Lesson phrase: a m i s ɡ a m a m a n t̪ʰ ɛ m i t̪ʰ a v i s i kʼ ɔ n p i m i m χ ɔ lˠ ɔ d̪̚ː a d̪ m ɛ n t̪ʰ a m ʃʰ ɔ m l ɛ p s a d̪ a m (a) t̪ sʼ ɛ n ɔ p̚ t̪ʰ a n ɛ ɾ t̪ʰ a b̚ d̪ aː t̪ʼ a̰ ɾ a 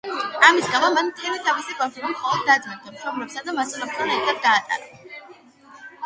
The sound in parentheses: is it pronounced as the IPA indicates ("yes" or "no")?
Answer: yes